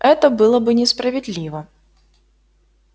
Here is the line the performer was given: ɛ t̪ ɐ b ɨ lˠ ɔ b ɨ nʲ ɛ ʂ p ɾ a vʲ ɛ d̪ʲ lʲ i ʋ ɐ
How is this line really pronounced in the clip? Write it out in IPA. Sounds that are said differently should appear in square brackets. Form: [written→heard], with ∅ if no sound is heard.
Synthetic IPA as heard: ɛ t̪ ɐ b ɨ lˠ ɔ b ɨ nʲ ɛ [ʂ→s] p ɾ [a→ɐ] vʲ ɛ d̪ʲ lʲ i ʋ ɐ

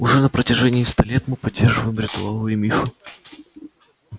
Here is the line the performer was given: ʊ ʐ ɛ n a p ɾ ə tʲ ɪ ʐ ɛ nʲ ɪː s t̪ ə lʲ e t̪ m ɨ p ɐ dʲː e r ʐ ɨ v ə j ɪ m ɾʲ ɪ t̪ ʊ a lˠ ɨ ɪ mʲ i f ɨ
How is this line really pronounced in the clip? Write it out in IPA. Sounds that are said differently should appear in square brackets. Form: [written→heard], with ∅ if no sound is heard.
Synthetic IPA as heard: ʊ ʐ ɛ n [a→ə] p ɾ ə tʲ ɪ ʐ ɛ nʲ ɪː s t̪ [ə→a] lʲ e t̪ m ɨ p ɐ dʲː e r ʐ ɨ v ə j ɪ m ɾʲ ɪ t̪ ʊ a lˠ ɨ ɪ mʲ i f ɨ

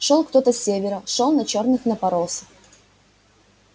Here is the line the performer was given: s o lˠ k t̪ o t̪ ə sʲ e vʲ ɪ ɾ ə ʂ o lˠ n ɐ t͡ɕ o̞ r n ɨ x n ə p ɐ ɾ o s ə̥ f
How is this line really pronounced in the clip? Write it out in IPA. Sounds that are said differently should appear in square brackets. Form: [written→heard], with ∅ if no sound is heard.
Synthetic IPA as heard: [s→ʂ] o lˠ k t̪ o t̪ ə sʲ e vʲ ɪ ɾ ə ʂ o lˠ n ɐ t͡ɕ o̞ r n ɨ x n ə p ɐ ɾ o s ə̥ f

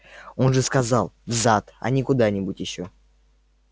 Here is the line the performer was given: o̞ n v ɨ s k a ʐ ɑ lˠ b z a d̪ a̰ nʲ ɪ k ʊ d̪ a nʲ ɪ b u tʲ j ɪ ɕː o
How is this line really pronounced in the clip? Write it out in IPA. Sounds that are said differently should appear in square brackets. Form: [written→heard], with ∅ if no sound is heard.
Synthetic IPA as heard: o̞ n [v→ʐ] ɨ s k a [ʐ→z] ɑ lˠ [b→v] z a [d̪→t̪] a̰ nʲ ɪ k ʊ d̪ a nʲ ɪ b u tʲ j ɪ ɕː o

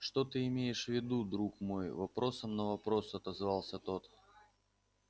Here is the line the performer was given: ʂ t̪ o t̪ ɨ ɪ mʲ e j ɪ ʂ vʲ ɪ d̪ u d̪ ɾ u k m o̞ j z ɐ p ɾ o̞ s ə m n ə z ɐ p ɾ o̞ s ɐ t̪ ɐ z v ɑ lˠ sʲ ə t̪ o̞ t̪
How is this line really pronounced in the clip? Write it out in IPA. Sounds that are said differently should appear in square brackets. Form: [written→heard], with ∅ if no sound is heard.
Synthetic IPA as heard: ʂ t̪ o t̪ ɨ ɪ mʲ e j ɪ ʂ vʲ ɪ d̪ u d̪ ɾ u k m o̞ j [z→v] ɐ p ɾ o̞ s ə m n ə [z→v] ɐ p ɾ o̞ s ɐ t̪ ɐ z v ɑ lˠ sʲ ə t̪ o̞ t̪

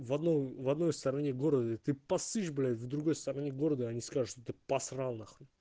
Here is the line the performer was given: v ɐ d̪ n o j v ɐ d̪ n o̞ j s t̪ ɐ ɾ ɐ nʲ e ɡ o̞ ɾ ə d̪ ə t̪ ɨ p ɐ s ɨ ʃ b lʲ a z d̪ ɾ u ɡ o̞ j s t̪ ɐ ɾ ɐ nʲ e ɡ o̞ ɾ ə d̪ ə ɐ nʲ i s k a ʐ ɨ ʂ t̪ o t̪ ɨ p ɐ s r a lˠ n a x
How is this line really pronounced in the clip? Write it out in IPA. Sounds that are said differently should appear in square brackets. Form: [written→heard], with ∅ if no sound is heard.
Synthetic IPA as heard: v ɐ d̪ n o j v ɐ d̪ n o̞ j s t̪ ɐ ɾ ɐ nʲ e ɡ o̞ ɾ ə d̪ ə t̪ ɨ p ɐ s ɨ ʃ b lʲ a [z→v] d̪ ɾ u ɡ o̞ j s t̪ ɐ ɾ ɐ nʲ e ɡ o̞ ɾ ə d̪ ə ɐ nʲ i s k a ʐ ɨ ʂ t̪ o t̪ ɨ p ɐ s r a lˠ n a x

